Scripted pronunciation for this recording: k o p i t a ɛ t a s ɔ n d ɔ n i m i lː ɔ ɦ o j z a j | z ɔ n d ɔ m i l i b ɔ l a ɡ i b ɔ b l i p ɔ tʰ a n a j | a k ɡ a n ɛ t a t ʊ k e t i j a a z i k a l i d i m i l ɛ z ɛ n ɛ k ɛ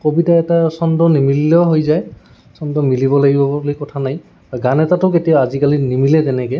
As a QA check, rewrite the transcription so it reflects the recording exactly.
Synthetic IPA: k o b i t a ɛ t a s ɔ n d ɔ n i m i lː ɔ ɦ o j z a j | s ɔ n d ɔ m i l i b ɔ l a ɡ i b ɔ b l i k ɔ tʰ a n a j | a ɡ a n ɛ t a t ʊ k e t i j a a z i k a l i n i m i l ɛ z ɛ n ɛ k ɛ